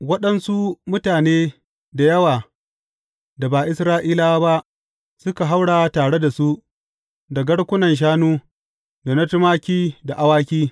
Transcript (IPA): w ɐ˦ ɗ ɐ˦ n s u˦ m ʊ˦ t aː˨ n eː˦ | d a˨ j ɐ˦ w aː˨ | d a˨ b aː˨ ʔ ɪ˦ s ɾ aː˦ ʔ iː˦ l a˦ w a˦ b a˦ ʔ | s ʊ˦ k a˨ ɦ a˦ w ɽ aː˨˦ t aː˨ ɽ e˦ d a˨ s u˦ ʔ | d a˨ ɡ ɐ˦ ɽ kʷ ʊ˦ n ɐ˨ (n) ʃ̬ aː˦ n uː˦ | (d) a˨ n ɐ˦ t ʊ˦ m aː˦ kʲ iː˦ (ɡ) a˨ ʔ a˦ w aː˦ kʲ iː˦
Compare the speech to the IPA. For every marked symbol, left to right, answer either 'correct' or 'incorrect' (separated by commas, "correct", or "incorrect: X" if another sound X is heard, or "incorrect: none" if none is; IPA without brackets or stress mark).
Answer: correct, correct, incorrect: d